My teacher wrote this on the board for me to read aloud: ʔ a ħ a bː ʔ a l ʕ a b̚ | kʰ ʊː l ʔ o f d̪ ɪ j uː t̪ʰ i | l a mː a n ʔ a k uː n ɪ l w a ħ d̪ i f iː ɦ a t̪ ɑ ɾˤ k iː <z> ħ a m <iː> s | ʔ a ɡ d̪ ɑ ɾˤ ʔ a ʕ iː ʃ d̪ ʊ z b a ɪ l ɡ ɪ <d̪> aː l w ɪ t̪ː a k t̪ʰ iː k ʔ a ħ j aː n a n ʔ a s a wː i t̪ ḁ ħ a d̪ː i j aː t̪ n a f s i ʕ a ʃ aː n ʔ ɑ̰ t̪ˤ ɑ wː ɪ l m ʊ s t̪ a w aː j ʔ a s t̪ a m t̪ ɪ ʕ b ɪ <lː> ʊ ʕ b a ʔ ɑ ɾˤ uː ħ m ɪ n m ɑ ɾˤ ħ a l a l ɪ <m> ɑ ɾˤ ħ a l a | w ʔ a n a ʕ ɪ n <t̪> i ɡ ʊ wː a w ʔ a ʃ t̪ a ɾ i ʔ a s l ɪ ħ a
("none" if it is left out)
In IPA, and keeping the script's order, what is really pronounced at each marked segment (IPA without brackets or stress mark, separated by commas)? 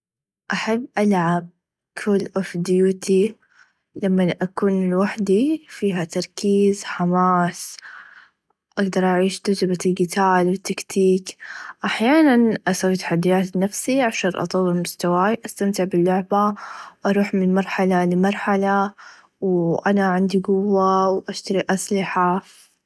z, aː, t̪, lː, m, d̪